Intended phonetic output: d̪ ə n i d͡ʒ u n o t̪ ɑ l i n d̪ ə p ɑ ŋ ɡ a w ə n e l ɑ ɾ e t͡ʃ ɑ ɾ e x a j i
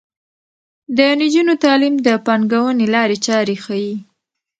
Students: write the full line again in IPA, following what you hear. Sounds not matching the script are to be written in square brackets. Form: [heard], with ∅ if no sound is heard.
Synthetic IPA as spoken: d̪ ə n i d͡ʒ u n o t̪ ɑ l i [m] d̪ ə p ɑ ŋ ɡ a w ə n e l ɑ ɾ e t͡ʃ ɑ ɾ e x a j i